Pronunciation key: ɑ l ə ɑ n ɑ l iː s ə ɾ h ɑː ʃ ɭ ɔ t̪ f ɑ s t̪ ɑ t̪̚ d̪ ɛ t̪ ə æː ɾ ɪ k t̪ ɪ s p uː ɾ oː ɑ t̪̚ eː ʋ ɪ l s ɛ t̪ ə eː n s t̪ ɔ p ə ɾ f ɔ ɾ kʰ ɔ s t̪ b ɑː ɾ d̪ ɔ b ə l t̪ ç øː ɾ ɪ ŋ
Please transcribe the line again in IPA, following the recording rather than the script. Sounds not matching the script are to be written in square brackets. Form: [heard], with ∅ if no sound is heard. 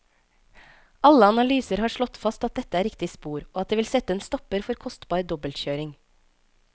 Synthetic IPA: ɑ l ə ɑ n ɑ l [yː] s ə ɾ h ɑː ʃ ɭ ɔ t̪ f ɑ s t̪ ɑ t̪̚ d̪ ɛ t̪ ə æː ɾ ɪ k t̪ ɪ s p uː ɾ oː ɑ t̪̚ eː ʋ ɪ l s ɛ t̪ ə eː n s t̪ ɔ p ə ɾ f ɔ ɾ kʰ ɔ s t̪ b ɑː ɾ d̪ ɔ b ə l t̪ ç øː ɾ ɪ ŋ